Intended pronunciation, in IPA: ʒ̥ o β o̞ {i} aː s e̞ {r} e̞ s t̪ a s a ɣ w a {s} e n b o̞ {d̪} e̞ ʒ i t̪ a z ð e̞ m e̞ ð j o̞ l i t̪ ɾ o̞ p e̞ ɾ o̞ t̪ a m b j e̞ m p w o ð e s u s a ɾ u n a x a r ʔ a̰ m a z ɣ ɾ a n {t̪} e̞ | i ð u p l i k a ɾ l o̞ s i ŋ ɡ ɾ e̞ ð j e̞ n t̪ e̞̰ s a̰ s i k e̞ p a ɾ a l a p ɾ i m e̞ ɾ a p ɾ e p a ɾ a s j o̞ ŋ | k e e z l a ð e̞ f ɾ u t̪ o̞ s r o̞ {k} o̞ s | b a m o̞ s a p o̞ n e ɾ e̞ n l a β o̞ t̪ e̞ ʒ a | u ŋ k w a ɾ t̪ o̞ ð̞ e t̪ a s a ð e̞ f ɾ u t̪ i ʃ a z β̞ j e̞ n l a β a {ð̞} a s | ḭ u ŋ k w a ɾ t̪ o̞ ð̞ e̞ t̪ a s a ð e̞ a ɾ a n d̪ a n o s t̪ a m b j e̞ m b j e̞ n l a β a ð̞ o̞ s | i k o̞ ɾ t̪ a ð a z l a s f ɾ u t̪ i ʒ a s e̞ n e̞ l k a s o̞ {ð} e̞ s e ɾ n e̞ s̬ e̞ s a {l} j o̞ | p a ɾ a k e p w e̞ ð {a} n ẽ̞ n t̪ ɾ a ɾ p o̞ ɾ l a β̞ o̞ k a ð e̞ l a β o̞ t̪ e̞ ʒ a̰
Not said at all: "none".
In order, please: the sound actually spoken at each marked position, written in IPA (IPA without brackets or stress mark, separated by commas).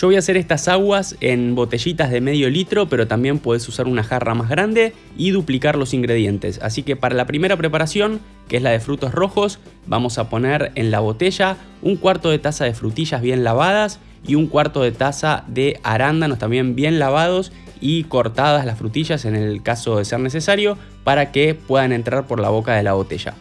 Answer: j, ɾ, s, t̪, d̪, x, ð̞, ð, ɾ, a